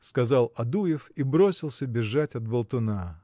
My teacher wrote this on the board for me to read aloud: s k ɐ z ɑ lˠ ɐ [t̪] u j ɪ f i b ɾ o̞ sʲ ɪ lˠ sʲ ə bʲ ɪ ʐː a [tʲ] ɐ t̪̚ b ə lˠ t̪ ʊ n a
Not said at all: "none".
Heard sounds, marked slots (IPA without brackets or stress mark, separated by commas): d̪, tʲ